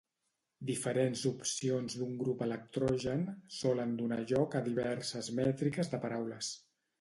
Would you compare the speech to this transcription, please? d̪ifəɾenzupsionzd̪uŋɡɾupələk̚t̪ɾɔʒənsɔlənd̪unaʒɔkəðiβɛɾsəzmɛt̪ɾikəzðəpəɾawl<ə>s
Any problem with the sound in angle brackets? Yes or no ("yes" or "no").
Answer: no